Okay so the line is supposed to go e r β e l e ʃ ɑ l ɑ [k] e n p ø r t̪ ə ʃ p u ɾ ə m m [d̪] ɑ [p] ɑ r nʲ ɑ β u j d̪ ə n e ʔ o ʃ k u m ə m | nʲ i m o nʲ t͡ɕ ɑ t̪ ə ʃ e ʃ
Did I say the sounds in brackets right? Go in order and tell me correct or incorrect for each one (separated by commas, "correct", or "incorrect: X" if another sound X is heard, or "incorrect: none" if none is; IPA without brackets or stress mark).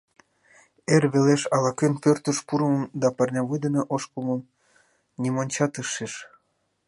correct, correct, correct